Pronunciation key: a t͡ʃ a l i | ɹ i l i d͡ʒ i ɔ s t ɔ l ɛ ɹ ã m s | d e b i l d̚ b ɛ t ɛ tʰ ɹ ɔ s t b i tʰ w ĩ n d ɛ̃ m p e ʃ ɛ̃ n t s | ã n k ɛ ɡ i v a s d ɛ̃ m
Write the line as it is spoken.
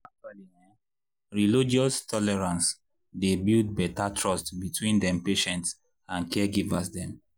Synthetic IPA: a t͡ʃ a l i | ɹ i l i d͡ʒ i ɔ s t ɔ l ɛ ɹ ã n s | d e b i l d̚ b ɛ t a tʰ ɹ ɔ s t b i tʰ w ĩ n d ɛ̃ m p e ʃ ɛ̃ n t s | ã n k ɛ ɡ i v a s d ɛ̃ m